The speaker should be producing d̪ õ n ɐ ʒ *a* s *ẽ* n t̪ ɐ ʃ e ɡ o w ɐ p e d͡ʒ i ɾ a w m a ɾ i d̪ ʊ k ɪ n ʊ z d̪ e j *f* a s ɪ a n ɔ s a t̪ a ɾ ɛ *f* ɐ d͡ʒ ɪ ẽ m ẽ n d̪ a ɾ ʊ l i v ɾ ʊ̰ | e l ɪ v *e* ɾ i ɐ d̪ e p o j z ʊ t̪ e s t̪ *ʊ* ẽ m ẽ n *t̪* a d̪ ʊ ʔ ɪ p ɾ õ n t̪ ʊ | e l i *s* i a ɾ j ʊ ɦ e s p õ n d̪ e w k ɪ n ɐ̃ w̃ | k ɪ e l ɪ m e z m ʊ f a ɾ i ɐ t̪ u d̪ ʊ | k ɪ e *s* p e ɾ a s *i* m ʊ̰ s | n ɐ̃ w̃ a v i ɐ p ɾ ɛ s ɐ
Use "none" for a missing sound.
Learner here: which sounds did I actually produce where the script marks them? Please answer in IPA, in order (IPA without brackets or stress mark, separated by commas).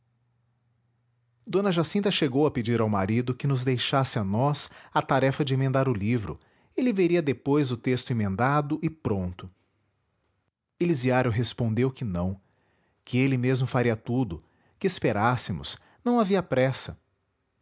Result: a, ĩ, ʃ, f, e, ʊ, d̪, z, s, ɪ